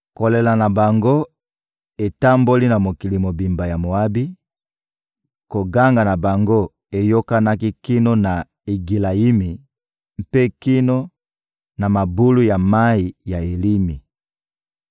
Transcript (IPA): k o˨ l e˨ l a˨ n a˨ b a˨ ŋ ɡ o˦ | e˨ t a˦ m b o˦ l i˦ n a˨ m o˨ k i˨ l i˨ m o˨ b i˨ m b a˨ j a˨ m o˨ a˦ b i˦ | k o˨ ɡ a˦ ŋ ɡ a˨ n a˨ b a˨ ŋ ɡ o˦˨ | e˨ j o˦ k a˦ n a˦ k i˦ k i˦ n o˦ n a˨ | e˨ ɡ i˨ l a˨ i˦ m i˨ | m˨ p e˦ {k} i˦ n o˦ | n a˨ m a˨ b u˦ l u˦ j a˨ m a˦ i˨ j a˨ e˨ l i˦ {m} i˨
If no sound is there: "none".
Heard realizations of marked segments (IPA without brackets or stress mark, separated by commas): k, m